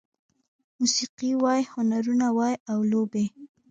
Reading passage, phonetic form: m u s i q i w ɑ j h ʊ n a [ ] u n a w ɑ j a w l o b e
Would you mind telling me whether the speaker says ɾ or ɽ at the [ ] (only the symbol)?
ɾ